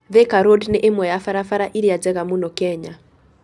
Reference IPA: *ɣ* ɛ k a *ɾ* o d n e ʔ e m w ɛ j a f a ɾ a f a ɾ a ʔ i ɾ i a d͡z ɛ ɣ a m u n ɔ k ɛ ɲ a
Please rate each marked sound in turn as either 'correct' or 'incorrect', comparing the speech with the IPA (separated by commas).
incorrect, correct